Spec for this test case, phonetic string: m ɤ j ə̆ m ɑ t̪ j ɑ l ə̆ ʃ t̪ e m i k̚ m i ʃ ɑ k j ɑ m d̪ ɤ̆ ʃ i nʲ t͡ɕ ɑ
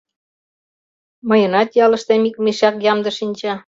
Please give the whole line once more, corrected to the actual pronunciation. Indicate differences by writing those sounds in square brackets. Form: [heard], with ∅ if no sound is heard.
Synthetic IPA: m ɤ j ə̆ [n] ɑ t̪ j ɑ l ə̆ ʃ t̪ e m i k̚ m i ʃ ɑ k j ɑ m d̪ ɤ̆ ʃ i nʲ t͡ɕ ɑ